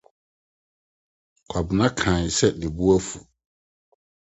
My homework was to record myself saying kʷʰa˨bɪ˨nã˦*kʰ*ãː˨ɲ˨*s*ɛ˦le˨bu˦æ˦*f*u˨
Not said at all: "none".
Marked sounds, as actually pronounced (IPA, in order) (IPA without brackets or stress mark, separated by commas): kʰ, s, f